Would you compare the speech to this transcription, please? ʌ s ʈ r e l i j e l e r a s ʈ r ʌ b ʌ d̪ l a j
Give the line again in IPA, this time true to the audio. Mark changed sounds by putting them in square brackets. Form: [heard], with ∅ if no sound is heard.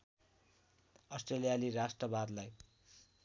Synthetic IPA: ʌ s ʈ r e l i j [a] l [i] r a s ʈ r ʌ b [a] d̪ l a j